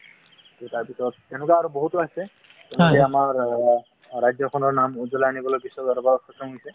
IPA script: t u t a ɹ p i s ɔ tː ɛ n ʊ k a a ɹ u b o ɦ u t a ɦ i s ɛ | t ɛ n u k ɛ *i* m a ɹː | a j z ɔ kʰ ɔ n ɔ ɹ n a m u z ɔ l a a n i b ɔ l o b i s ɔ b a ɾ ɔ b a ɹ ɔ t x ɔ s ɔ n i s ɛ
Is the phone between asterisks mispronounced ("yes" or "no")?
yes